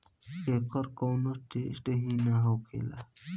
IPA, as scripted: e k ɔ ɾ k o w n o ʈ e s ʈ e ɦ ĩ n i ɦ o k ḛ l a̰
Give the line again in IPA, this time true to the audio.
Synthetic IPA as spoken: e k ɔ ɾ k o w n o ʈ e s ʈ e ɦ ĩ n a ɦ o k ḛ l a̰